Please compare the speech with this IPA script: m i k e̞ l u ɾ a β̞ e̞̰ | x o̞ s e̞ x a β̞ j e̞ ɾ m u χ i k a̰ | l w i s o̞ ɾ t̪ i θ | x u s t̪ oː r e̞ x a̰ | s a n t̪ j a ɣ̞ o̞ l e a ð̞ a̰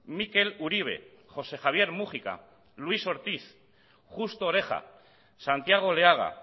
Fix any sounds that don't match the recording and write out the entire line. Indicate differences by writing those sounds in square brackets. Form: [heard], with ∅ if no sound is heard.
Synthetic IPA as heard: m i k e̞ l u ɾ [i] β̞ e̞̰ | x o̞ s e̞ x a β̞ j e̞ ɾ m u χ i k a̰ | l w i s o̞ ɾ t̪ i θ | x u s t̪ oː [ɾ] e̞ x a̰ | s a n t̪ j a ɣ̞ o̞ l e a [ɣ̞] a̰